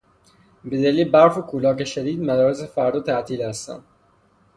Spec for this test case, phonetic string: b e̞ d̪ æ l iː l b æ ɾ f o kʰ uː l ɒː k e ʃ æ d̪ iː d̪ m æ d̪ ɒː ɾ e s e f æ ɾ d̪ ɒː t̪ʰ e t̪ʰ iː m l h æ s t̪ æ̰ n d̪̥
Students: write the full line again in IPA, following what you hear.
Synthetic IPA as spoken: b e̞ d̪ æ l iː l b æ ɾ f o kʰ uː l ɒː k e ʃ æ d̪ iː d̪ m æ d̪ ɒː ɾ e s e f æ ɾ d̪ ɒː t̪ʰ æ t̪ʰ iː l h æ s t̪ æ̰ n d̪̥